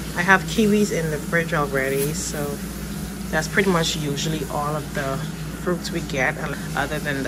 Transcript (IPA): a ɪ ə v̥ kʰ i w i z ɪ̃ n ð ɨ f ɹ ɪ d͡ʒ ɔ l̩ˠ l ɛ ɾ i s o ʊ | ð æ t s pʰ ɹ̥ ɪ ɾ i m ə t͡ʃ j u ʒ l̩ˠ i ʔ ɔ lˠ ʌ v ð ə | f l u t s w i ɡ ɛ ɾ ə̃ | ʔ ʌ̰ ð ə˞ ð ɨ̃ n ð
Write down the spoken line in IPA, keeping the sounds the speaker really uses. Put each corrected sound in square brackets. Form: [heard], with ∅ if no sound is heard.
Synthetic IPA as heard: a ɪ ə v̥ kʰ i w i z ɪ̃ n ð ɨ f ɹ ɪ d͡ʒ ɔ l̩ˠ [ɹ] ɛ ɾ i s o ʊ | ð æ t s pʰ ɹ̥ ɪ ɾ i m [ʌ] t͡ʃ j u ʒ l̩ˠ i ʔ ɔ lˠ ʌ v ð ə | f [ɹ] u t s w i ɡ ɛ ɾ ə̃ | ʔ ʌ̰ ð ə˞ ð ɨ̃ n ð